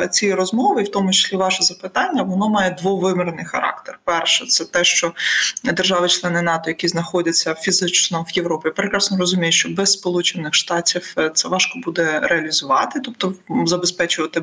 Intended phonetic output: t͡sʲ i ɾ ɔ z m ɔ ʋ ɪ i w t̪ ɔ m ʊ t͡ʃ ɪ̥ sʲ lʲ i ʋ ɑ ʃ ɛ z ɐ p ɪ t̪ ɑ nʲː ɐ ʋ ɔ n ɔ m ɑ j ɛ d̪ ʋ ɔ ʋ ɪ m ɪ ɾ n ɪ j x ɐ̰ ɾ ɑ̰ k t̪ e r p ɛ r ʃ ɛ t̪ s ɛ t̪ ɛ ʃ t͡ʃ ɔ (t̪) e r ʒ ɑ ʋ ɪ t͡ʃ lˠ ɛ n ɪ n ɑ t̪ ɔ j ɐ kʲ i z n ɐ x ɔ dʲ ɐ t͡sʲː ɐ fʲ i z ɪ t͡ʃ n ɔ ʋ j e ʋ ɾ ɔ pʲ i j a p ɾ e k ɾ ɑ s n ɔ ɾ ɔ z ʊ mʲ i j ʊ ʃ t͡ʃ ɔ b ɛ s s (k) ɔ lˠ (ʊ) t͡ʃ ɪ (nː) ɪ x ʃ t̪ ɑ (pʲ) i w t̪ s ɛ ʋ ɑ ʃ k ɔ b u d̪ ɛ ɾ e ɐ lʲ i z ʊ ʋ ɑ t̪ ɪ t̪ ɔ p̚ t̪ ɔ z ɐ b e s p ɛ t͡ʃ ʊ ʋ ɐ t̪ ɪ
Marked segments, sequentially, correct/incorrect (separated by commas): incorrect, incorrect, incorrect, incorrect, incorrect